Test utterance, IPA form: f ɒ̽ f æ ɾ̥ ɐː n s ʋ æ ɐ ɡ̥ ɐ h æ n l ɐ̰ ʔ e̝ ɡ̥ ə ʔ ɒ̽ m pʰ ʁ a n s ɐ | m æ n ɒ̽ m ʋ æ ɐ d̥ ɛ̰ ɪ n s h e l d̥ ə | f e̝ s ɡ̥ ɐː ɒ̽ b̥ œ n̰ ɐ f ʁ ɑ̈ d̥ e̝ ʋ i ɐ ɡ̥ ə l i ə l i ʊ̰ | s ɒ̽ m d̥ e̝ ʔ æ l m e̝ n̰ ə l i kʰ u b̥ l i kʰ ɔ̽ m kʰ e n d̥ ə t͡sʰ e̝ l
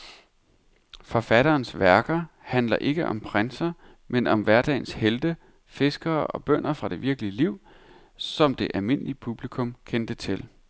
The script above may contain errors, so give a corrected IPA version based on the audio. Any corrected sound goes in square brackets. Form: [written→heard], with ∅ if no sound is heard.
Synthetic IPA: f ɒ̽ f æ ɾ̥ ɐː n s ʋ æ ɐ ɡ̥ ɐ h æ n l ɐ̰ ʔ e̝ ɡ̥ ə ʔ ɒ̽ m pʰ ʁ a n s ɐ | m [æ→e] n ɒ̽ m ʋ æ ɐ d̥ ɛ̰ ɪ n s h e l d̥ ə | f e̝ s ɡ̥ ɐː ɒ̽ b̥ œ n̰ ɐ f ʁ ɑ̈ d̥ e̝ ʋ i ɐ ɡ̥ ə l i ə l i ʊ̰ | s ɒ̽ m d̥ e̝ ʔ æ l m e̝ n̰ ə l i [kʰ→pʰ] u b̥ l i kʰ ɔ̽ m kʰ e n d̥ ə t͡sʰ e̝ l